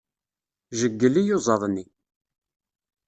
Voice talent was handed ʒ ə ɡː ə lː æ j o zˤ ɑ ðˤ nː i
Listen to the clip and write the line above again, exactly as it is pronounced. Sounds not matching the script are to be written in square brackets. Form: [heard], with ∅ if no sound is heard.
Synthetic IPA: ʒ ə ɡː ə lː [i] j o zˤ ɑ ðˤ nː i

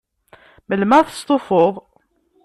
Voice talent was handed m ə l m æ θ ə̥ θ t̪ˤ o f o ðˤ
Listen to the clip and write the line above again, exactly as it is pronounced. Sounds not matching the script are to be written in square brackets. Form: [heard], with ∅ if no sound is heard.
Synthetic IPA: m ə l m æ θ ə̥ [s] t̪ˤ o f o ðˤ

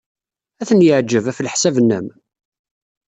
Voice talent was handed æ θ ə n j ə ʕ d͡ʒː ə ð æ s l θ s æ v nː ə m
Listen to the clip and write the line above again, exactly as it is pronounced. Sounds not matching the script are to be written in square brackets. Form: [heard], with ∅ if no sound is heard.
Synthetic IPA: æ θ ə n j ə ʕ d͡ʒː ə [v] æ [f] l [ħ] s æ v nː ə m

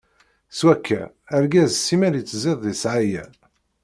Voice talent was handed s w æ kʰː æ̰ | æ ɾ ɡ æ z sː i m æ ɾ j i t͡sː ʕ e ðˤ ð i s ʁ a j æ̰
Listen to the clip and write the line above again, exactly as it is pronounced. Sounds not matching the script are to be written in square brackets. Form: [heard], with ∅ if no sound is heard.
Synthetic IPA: s w æ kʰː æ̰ | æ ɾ ɡ æ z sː i m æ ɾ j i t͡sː [z] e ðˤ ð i s [ʕ] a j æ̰

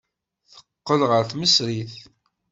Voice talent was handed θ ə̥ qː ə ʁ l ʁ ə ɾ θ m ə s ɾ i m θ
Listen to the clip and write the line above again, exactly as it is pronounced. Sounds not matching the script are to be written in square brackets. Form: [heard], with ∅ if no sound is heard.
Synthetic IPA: θ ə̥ qː ə [∅] l ʁ ə ɾ θ m ə s ɾ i [∅] θ

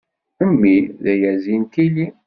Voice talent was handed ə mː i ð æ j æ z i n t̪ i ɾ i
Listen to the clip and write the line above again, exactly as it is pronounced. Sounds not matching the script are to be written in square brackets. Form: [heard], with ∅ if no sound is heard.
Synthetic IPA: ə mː i ð æ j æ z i n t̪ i [l] i

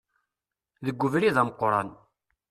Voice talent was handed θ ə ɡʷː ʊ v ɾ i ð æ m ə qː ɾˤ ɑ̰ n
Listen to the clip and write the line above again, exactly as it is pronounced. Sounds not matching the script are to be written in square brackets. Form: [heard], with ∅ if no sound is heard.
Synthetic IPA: [ð] ə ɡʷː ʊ v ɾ i ð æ m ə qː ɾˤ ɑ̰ n

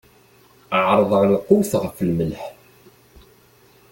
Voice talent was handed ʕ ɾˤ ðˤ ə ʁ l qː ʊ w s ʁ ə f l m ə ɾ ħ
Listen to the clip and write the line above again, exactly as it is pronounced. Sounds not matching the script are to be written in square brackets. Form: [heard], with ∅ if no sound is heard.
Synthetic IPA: ʕ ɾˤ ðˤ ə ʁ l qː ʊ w [θ] ʁ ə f l m ə [l] ħ

